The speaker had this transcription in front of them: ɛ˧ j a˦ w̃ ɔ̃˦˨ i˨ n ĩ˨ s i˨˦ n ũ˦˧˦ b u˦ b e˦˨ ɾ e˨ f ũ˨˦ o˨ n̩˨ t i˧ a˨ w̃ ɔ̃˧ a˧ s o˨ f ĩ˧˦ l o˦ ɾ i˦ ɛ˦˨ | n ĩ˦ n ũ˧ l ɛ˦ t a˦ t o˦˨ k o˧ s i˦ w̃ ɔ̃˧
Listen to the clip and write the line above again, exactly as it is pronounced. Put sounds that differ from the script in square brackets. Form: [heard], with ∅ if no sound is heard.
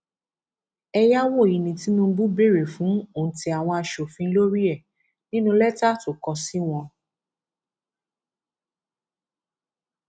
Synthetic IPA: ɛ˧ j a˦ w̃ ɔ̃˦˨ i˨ n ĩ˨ [t] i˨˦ n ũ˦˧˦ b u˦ b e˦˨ ɾ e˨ f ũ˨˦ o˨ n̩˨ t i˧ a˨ w̃ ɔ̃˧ a˧ [ʃ] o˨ f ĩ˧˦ l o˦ ɾ i˦ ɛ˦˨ | n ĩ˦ n ũ˧ l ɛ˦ t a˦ t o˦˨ k [ɔ˧] s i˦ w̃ ɔ̃˧